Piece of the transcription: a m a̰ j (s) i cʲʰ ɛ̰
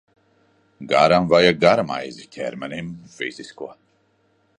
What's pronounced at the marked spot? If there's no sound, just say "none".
z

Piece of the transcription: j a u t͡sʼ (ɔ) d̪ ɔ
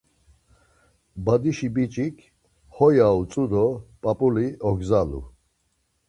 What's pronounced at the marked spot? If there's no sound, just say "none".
u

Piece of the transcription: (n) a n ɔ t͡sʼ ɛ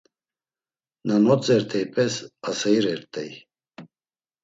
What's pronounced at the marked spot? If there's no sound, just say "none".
n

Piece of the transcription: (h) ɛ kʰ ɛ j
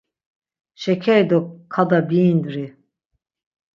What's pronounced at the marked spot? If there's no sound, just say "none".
ʃ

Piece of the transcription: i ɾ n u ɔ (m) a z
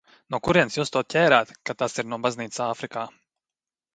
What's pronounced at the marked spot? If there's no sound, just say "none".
b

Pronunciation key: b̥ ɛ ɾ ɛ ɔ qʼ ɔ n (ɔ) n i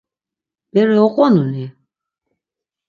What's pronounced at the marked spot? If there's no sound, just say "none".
u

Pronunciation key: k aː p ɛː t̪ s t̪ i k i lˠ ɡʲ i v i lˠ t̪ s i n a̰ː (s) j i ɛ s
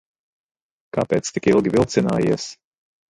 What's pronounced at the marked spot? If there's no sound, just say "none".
none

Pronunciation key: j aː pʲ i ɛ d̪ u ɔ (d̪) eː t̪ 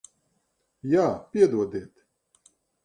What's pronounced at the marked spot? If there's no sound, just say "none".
d̪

